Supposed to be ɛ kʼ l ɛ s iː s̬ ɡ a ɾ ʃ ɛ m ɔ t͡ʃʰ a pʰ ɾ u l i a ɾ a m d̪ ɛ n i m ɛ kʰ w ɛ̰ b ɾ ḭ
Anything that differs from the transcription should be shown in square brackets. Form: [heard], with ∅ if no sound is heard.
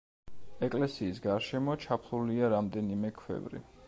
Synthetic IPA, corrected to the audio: ɛ kʼ l ɛ s iː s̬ ɡ a ɾ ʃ ɛ m ɔ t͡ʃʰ a pʰ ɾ u l i a ɾ a m d̪ ɛ n i m ɛ kʰ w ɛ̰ [v] ɾ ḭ